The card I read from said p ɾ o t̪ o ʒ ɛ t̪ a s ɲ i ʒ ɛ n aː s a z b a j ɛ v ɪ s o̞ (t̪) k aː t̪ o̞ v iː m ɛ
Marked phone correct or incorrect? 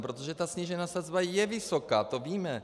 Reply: incorrect